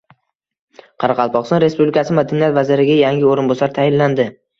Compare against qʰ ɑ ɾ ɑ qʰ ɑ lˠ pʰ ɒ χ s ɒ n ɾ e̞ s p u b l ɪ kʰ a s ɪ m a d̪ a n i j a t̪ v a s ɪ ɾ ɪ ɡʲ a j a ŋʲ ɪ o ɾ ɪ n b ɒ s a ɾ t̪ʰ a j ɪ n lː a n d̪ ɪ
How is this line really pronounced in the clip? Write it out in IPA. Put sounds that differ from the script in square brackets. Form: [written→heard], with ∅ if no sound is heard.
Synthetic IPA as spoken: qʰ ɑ ɾ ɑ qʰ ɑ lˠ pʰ ɒ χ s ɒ n ɾ e̞ s p u b l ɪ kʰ a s ɪ m a d̪ a n i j a t̪ v a [s→z] ɪ ɾ ɪ ɡʲ a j a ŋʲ ɪ o ɾ ɪ n b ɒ s a ɾ t̪ʰ a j ɪ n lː a n d̪ ɪ